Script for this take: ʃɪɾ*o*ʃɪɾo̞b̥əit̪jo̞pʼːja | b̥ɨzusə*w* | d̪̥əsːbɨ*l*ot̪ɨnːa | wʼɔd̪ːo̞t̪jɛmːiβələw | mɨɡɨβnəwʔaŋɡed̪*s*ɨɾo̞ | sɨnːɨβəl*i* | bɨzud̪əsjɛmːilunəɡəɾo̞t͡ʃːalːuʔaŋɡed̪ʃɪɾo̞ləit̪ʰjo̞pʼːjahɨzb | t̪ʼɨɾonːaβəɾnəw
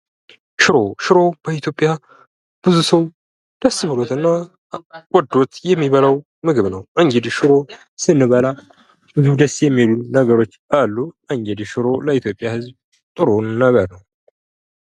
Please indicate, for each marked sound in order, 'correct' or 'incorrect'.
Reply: correct, correct, correct, incorrect, incorrect

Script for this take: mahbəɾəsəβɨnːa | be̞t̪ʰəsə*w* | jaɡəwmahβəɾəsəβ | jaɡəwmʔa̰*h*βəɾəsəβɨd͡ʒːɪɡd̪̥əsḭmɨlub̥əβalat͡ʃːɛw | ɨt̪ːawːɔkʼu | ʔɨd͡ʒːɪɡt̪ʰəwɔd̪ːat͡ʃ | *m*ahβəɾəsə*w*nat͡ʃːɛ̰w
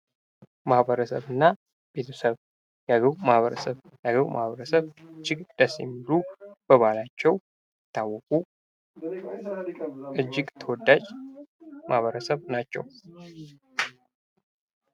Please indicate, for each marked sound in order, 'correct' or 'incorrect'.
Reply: incorrect, correct, correct, incorrect

